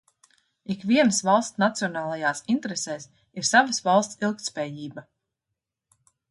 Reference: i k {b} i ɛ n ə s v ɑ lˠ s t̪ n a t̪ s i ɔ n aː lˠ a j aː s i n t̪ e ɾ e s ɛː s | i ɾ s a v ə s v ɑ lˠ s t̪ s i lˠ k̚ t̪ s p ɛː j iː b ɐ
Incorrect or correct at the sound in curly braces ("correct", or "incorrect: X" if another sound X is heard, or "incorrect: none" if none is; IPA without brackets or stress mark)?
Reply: incorrect: v